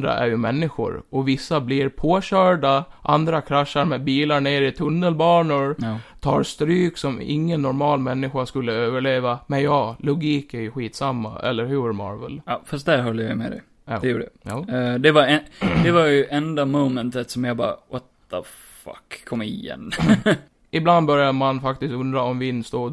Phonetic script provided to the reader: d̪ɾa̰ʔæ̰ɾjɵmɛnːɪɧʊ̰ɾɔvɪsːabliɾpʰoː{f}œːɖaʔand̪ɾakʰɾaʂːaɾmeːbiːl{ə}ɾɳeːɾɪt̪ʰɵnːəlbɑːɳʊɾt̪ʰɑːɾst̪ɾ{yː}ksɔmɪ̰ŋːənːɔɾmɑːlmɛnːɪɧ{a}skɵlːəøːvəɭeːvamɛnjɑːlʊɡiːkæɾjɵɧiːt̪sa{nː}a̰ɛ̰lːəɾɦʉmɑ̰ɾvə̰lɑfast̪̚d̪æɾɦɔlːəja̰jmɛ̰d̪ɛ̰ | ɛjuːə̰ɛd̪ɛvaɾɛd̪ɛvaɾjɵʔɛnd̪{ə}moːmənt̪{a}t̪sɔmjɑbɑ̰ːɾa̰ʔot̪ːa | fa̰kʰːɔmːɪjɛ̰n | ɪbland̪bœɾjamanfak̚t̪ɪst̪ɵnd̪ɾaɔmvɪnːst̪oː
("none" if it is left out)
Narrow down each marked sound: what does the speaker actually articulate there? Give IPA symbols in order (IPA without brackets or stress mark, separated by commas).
ɕ, a, yː, a, mː, a, ə